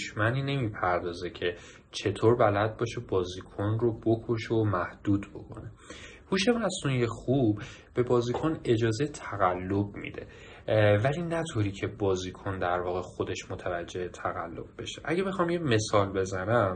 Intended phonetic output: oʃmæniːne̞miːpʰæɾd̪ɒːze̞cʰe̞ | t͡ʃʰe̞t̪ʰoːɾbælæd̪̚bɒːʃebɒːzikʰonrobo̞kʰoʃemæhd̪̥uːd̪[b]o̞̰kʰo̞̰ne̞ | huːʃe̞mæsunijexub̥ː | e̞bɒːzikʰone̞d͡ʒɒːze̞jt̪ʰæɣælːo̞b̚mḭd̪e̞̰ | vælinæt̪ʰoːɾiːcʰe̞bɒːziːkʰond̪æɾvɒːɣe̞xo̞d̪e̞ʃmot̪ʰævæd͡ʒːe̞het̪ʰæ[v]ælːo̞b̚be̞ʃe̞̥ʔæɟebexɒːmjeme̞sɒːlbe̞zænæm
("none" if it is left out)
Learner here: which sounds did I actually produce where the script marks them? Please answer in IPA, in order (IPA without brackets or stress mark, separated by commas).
b, ɣ